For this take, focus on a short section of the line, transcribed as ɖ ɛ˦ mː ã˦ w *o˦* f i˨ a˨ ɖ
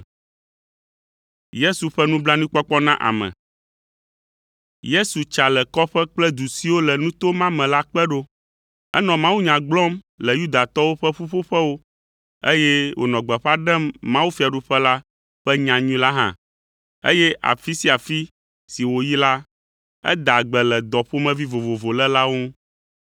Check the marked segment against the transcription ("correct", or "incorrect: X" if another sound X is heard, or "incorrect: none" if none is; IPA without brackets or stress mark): incorrect: u˦